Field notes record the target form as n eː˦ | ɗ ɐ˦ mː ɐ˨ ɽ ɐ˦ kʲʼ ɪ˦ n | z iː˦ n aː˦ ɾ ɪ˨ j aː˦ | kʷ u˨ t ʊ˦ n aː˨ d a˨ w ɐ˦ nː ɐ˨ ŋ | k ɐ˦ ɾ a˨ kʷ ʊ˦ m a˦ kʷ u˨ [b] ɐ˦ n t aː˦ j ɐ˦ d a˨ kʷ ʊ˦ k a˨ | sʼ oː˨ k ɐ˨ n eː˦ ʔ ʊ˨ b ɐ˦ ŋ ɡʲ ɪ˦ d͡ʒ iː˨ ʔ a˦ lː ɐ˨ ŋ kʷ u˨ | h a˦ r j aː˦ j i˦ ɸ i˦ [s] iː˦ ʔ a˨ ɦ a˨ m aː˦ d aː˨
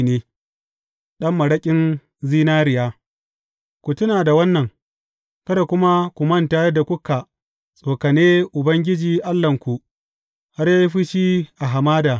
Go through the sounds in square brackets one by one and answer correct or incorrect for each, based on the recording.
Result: incorrect: m, incorrect: ʃ

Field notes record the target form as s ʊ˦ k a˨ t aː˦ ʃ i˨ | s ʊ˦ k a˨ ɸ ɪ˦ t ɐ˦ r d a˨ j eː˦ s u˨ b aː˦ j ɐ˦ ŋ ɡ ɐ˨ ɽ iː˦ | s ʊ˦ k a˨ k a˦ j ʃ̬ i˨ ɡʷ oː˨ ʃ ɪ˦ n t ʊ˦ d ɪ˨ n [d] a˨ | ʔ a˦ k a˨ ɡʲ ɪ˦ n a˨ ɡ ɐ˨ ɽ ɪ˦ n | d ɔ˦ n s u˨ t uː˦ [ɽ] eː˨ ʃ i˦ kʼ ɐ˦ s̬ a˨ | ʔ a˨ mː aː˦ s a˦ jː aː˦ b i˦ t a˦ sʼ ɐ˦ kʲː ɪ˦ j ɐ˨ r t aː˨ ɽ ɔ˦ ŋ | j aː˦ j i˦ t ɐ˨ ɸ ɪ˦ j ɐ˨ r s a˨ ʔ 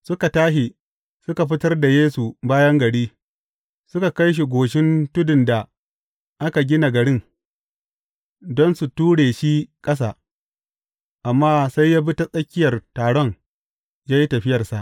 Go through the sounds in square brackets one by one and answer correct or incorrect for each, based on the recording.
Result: correct, correct

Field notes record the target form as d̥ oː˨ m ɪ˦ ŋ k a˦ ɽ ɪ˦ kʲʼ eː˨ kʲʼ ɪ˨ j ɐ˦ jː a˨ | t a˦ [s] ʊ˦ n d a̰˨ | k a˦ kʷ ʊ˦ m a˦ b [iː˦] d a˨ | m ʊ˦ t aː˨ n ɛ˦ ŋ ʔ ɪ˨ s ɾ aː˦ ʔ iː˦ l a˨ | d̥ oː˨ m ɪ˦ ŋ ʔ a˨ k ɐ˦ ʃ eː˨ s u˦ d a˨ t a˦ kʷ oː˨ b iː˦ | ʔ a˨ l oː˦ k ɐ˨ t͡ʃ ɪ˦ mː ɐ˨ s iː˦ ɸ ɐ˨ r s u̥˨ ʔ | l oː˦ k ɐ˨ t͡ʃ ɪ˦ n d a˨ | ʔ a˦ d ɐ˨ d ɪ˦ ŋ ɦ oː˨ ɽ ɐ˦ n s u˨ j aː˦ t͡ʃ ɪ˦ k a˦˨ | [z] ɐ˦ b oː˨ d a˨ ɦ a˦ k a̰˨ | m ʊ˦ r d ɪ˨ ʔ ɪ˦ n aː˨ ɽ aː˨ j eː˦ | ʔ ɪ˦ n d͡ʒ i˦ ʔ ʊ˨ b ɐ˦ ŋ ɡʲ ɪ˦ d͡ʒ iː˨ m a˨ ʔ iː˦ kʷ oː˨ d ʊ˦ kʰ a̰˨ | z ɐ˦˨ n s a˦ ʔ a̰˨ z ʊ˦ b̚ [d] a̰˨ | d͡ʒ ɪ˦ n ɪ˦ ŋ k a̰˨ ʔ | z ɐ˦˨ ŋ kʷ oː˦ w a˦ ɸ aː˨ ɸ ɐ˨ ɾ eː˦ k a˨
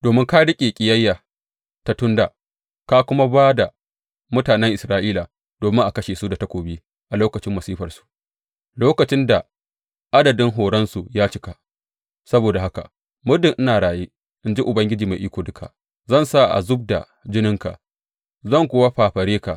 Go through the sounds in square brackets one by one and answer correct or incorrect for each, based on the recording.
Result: incorrect: t, incorrect: aː˦, incorrect: s, correct

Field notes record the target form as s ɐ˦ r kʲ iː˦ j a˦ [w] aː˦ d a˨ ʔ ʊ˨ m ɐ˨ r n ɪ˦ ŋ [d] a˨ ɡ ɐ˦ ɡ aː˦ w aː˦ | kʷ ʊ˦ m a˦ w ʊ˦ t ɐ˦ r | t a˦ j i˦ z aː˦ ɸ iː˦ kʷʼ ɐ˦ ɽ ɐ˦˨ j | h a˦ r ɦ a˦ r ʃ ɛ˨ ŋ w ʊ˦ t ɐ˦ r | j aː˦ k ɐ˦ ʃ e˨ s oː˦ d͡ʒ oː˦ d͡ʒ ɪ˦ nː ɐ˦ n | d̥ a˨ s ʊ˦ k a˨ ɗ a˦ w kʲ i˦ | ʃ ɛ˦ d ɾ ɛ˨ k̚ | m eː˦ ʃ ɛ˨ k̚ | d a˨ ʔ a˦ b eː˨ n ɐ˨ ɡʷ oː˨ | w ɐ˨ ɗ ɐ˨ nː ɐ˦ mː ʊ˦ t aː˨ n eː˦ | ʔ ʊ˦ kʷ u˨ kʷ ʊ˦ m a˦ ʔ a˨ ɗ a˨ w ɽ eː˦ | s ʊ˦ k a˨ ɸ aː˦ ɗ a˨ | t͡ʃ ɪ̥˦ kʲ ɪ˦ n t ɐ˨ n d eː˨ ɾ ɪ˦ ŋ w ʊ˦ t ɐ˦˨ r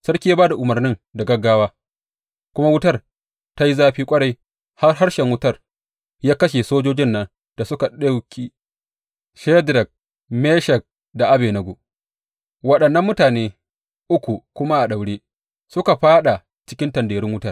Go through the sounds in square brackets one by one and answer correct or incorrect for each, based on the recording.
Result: incorrect: b, correct

